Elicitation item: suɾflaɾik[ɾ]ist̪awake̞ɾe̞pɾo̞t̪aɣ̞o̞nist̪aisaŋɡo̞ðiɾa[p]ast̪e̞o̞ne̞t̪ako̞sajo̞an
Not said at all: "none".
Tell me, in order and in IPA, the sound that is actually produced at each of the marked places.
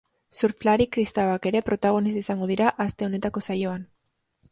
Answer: ɾ, ʔ

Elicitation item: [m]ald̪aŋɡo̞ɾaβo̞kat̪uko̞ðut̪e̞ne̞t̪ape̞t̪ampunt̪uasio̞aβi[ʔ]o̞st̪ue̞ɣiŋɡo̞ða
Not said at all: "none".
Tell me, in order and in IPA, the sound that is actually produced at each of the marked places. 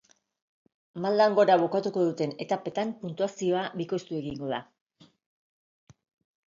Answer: m, k

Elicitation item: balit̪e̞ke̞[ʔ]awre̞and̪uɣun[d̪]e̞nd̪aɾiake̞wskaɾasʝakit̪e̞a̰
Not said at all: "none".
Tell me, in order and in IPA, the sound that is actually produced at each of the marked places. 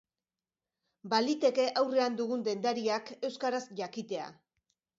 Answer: ʔ, d̪

